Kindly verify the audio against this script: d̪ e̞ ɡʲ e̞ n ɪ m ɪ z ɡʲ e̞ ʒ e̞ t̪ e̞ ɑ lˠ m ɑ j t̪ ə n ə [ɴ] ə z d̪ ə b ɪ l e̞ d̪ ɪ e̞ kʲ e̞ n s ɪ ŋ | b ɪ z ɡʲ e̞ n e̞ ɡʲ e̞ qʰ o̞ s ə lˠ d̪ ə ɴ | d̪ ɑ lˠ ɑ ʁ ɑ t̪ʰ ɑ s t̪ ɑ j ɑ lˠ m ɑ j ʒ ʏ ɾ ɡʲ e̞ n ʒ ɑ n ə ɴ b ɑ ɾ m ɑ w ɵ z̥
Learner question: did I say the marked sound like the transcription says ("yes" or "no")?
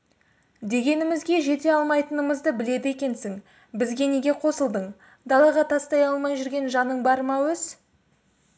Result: no